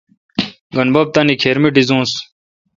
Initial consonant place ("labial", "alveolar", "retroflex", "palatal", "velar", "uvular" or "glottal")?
velar